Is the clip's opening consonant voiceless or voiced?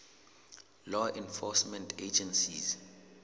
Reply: voiced